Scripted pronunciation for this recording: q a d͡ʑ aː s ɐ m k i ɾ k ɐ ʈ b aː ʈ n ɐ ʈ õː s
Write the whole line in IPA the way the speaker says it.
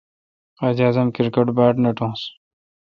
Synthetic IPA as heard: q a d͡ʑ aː z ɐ m k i ɾ k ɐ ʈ b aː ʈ n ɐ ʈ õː s